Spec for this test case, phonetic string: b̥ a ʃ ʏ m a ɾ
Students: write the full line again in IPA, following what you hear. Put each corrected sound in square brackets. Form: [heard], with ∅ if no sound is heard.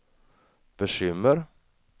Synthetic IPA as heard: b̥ [ə] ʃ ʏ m [ə] ɾ